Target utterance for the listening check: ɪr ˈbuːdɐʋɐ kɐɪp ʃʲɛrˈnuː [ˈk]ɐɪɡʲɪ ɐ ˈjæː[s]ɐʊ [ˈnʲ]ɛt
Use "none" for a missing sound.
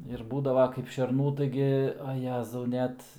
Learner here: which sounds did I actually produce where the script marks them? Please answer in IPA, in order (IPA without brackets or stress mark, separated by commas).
t, z, nʲ